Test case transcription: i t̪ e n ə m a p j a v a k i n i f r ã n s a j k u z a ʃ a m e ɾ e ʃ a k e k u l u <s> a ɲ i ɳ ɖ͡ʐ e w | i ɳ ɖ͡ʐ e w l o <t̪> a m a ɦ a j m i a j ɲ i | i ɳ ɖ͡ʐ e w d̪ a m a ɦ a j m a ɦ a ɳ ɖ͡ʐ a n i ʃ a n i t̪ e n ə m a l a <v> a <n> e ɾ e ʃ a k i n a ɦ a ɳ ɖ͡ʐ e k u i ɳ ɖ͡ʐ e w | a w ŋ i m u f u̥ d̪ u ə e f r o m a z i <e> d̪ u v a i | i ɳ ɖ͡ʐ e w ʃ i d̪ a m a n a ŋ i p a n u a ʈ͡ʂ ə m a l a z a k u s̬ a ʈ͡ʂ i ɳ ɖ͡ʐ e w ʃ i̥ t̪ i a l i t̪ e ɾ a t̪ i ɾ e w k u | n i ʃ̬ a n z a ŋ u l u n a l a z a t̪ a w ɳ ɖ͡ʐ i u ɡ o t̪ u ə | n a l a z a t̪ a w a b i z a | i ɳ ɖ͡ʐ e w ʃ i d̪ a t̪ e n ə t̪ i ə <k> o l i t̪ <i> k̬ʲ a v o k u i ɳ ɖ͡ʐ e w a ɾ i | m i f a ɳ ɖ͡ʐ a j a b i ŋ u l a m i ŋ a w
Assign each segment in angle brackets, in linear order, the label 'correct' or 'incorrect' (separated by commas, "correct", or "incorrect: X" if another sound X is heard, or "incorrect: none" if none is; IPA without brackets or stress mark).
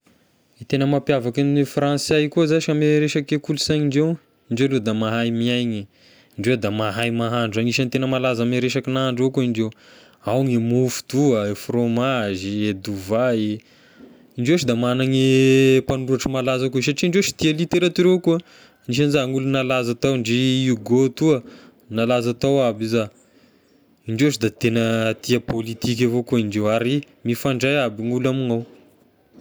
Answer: correct, incorrect: d̪, incorrect: z, incorrect: m, correct, incorrect: p, correct